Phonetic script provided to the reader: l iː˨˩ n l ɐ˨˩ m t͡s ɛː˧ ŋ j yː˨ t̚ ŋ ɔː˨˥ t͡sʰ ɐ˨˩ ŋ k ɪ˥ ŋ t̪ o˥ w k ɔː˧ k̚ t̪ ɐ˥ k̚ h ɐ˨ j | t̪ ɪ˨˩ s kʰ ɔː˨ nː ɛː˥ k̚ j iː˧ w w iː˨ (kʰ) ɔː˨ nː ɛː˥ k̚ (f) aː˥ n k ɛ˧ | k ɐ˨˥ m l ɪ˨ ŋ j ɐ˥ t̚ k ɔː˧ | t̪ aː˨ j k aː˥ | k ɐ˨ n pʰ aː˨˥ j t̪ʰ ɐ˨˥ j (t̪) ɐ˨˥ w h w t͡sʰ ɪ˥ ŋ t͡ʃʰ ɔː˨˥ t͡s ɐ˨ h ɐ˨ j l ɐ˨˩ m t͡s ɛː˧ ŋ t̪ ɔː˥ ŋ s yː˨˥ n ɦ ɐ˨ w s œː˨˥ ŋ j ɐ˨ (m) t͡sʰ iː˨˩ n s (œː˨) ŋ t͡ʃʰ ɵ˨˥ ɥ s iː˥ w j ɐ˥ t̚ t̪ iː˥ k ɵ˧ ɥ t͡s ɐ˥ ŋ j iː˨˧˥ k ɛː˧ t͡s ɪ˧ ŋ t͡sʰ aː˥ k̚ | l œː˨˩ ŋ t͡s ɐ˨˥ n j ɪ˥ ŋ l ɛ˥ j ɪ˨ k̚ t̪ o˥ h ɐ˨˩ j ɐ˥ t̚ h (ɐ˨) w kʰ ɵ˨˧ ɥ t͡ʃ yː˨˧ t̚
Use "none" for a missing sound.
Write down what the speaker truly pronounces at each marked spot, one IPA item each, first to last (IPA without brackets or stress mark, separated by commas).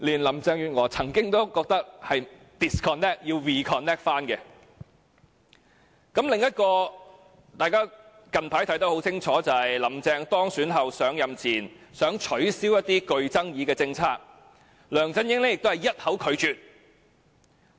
kʰ, f, t̪, m, œː˨˥, ɐ˨˥